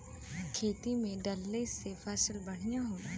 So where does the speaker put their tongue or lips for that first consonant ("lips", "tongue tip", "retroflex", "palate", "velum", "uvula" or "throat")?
velum